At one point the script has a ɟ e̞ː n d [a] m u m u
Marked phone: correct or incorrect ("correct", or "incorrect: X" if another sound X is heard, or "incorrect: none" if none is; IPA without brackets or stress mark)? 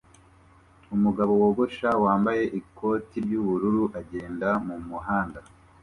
correct